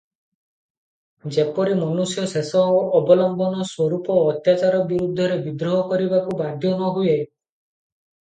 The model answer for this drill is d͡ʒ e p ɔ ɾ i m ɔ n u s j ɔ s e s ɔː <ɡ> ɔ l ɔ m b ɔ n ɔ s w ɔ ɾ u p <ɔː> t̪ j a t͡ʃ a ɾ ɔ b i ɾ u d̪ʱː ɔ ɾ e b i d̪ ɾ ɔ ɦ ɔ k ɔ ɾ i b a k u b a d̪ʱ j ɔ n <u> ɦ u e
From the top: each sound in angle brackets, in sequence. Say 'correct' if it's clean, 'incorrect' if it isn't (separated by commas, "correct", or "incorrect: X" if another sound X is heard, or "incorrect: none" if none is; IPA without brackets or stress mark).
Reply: incorrect: b, correct, incorrect: ɔ